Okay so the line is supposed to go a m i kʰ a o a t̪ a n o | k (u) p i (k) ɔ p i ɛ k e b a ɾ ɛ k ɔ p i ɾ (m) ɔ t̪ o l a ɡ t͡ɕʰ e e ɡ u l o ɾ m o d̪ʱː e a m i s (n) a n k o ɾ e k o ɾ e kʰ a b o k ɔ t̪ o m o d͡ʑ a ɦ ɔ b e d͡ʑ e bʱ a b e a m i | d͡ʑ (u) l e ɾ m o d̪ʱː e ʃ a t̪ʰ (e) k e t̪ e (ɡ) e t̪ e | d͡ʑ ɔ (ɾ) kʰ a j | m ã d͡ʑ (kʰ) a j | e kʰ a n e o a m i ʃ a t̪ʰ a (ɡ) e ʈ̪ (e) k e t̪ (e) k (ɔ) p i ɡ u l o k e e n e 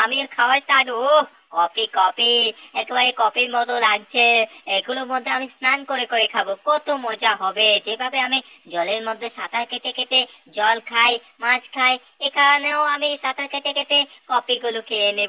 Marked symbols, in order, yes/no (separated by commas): no, yes, yes, yes, no, no, no, no, yes, no, yes, yes, yes